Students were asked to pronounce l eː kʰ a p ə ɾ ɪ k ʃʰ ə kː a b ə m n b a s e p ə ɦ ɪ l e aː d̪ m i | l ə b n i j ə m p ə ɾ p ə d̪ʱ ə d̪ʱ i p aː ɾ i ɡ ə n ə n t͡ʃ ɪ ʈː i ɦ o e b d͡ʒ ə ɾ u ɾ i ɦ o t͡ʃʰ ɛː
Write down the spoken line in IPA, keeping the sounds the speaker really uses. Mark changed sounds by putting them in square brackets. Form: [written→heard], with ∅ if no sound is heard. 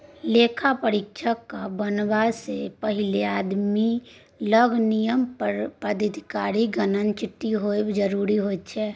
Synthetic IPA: l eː kʰ a p ə ɾ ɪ k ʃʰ ə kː a b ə [m→∅] n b a s e p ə ɦ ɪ l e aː d̪ m i | l ə [b→ɡ] n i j ə m p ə ɾ p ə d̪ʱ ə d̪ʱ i [p→k] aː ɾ i ɡ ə n ə n t͡ʃ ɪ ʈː i ɦ o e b d͡ʒ ə ɾ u ɾ i ɦ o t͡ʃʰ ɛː